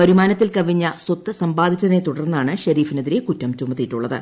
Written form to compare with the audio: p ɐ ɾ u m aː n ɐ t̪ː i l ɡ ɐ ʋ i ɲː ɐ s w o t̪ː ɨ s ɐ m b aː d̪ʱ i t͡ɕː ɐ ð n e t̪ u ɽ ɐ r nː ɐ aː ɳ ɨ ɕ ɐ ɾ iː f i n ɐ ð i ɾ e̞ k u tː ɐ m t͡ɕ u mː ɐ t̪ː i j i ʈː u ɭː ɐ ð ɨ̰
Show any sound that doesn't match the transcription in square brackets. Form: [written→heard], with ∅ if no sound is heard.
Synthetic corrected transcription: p ɐ ɾ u m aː n ɐ t̪ː i l [ɡ→k] ɐ ʋ i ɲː ɐ s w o t̪ː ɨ s ɐ m b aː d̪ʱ i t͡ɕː ɐ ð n e t̪ u ɽ ɐ r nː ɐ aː ɳ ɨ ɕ ɐ ɾ iː f i n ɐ ð i ɾ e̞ k u tː ɐ m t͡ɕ u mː ɐ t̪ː i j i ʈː u ɭː ɐ ð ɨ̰